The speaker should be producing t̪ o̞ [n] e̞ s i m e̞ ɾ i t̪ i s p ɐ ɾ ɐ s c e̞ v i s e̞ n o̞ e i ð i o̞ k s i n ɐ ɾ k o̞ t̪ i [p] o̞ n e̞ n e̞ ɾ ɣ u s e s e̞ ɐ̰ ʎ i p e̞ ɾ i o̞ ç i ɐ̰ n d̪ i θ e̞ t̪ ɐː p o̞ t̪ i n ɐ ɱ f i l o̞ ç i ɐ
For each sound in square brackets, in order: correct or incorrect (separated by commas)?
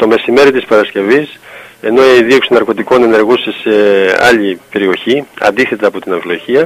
incorrect, incorrect